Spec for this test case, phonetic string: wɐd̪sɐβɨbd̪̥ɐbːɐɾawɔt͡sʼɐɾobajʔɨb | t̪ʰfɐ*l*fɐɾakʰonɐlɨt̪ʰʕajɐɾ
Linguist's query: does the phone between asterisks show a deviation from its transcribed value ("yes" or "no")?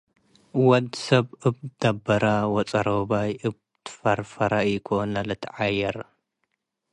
yes